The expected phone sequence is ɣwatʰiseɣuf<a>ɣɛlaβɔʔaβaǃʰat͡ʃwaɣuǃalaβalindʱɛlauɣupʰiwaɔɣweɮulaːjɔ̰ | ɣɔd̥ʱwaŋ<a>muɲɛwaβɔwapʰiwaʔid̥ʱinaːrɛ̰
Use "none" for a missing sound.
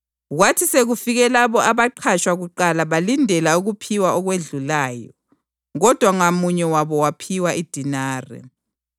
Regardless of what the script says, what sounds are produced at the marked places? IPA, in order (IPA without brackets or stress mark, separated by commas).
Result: i, a